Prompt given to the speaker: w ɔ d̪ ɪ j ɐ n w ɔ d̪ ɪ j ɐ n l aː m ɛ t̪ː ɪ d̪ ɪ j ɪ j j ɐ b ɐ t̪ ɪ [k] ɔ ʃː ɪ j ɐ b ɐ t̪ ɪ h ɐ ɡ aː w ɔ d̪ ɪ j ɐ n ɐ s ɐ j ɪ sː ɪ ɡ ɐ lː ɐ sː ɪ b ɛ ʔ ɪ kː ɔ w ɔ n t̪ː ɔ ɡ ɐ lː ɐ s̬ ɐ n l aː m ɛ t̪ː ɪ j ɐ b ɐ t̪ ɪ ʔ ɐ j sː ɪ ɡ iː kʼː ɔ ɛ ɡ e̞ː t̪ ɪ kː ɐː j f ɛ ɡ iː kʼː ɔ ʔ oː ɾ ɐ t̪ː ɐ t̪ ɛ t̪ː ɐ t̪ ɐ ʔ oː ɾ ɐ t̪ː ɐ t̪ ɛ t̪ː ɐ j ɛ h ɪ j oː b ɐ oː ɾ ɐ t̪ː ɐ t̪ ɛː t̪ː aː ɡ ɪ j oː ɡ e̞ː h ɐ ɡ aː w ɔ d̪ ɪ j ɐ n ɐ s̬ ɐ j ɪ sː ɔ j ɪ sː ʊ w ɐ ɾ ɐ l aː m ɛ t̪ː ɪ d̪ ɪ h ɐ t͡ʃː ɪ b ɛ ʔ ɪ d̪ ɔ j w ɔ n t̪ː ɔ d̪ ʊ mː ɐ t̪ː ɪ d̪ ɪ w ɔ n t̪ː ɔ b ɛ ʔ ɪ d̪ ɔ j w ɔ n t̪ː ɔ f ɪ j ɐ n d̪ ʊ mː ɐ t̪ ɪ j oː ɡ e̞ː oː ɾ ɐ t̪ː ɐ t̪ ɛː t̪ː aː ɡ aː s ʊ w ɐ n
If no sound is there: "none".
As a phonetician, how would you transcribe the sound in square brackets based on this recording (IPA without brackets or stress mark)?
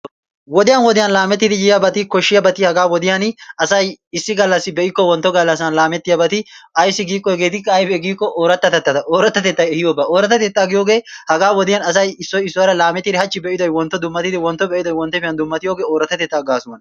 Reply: k